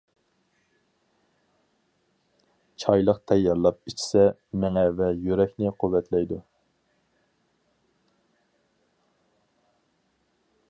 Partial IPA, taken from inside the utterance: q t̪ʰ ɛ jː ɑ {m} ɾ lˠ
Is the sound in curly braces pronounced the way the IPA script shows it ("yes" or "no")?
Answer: no